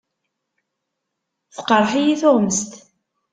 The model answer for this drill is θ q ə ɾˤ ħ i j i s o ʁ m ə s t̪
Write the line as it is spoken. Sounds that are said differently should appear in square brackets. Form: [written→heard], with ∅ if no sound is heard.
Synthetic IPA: θ q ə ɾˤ ħ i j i [s→θ] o ʁ m ə s t̪